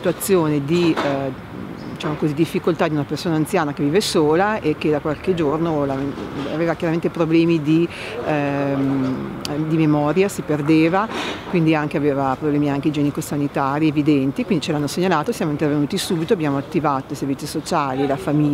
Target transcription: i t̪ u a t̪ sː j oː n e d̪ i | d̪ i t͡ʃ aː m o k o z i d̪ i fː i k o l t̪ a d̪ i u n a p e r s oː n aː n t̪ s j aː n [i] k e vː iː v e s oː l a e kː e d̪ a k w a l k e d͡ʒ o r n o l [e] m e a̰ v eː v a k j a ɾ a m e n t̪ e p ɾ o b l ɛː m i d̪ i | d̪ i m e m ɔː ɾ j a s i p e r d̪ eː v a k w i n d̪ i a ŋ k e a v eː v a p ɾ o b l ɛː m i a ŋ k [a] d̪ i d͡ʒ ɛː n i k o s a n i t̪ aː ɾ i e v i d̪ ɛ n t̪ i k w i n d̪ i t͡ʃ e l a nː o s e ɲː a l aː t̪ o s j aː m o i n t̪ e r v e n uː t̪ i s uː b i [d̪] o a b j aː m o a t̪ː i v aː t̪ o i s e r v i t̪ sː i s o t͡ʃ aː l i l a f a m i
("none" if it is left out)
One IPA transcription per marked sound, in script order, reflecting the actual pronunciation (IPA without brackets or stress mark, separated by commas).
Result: a, a, e, t̪